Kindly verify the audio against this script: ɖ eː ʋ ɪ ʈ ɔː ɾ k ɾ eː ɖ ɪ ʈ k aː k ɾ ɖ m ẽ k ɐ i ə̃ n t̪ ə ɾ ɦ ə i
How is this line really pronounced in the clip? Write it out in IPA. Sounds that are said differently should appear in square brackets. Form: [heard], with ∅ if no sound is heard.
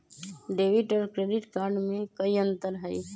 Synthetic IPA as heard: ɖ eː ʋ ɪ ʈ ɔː ɾ k ɾ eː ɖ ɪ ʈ k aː [∅] ɾ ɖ m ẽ k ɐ i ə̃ n t̪ ə ɾ ɦ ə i